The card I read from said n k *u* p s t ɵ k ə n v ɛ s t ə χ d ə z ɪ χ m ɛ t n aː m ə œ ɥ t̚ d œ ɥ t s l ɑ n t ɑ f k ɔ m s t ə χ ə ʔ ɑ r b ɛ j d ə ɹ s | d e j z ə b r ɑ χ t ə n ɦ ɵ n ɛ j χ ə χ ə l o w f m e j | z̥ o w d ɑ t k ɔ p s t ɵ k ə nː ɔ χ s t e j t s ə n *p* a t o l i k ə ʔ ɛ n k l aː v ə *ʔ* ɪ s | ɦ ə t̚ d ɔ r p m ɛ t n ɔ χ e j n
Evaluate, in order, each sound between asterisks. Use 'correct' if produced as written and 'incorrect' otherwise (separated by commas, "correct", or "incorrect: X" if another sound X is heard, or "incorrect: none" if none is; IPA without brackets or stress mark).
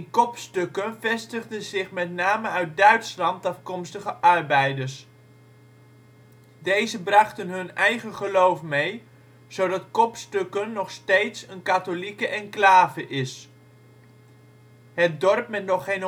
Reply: incorrect: ɔ, incorrect: k, correct